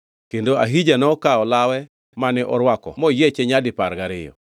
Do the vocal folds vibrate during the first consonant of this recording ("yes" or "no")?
no